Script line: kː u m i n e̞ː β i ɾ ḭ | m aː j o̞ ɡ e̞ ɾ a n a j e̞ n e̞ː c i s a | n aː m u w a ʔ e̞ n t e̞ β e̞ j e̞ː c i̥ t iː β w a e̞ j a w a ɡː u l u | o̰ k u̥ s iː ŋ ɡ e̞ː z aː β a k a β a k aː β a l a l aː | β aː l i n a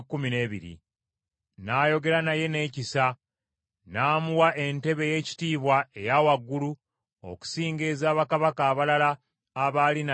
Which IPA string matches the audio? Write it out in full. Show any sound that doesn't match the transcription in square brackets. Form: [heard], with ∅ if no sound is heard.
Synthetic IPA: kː u m i n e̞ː β i ɾ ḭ | [n] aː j o̞ ɡ e̞ ɾ a n a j e̞ n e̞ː c i s a | n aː m u w a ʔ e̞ n t e̞ β e̞ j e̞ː c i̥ t iː β w a e̞ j a w a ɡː u l u | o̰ k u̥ s iː ŋ ɡ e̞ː z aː β a k a β a k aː β a l a l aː | β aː l i n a